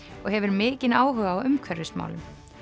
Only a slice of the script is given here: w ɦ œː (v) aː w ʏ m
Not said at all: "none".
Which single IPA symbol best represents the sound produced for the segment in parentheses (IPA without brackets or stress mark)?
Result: ɣ